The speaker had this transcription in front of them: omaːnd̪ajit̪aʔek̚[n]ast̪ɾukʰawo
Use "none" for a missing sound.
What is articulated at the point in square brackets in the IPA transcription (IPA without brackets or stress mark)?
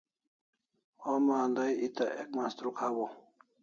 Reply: m